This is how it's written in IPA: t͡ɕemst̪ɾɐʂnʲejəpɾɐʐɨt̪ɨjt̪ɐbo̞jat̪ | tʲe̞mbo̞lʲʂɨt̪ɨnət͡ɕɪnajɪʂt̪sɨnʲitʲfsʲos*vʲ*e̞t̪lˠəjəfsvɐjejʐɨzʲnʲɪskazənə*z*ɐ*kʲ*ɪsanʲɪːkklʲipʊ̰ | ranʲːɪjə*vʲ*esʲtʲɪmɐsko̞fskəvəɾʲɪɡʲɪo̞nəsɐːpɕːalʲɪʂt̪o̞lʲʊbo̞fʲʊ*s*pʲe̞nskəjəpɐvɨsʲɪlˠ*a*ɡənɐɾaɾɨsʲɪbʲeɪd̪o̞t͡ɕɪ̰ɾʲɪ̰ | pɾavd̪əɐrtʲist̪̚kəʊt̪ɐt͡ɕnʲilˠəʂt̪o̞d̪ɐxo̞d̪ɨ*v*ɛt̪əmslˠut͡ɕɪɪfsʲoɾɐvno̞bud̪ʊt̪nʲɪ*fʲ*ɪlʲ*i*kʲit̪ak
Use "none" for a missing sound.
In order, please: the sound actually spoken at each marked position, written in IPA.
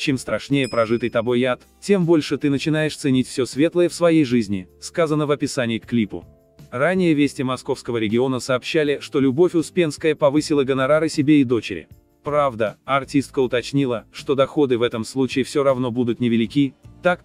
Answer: vʲ, v, pʲ, vʲ, s, ə, v, vʲ, ɪ

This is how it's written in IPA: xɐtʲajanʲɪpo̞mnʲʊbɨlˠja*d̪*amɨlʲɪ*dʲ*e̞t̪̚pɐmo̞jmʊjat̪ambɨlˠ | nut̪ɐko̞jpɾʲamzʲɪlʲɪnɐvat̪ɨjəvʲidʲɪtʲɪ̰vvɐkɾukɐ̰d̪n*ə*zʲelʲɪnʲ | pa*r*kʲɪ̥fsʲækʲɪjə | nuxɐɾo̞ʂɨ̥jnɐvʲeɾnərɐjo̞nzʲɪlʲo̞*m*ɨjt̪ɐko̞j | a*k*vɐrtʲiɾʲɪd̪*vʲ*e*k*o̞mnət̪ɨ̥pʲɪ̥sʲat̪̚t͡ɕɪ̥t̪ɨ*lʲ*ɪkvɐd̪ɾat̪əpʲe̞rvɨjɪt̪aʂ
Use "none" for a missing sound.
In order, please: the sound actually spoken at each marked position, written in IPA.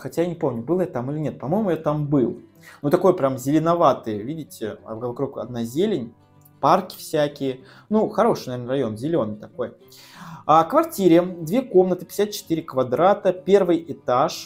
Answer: t̪, nʲ, a, r, n, k, vʲ, k, ɾʲ

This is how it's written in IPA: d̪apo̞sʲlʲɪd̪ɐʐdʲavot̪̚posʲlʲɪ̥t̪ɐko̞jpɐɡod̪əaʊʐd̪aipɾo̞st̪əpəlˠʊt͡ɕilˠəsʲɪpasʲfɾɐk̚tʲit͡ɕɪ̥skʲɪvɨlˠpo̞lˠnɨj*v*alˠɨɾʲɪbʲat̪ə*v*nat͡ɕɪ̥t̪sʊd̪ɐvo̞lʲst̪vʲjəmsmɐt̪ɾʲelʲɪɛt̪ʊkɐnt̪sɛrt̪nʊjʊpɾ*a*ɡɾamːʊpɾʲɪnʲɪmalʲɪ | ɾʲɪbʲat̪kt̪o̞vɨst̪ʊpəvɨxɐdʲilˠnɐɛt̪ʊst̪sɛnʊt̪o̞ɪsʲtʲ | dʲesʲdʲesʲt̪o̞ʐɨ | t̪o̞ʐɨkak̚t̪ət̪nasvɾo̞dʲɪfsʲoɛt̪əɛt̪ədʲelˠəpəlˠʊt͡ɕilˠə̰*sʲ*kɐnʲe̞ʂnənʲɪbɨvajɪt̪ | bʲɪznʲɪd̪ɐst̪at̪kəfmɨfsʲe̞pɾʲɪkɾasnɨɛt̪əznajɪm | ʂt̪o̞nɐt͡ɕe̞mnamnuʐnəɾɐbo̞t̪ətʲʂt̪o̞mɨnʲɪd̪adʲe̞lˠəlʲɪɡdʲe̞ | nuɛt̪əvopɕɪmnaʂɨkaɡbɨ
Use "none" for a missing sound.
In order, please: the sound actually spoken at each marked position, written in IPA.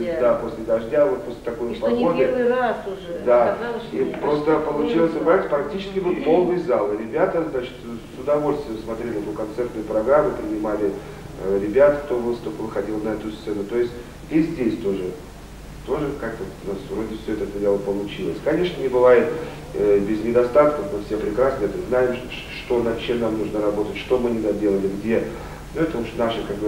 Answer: z, z, ɐ, sʲ

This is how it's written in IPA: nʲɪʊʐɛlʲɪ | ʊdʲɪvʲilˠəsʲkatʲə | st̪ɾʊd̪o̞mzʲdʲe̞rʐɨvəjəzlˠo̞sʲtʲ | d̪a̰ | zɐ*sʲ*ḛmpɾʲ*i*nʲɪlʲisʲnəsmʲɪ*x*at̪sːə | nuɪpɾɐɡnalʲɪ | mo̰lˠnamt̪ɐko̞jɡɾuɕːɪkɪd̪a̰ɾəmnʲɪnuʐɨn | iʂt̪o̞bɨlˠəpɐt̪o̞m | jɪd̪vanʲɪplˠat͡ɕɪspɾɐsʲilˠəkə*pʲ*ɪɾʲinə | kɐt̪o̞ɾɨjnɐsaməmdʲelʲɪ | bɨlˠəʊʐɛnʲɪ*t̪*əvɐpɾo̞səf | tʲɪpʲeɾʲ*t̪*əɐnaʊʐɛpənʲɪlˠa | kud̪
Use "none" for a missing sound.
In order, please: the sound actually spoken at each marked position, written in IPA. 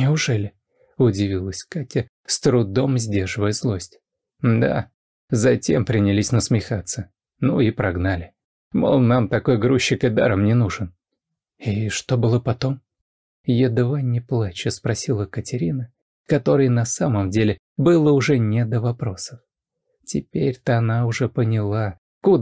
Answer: tʲ, ɪ, x, tʲ, d̪, t̪

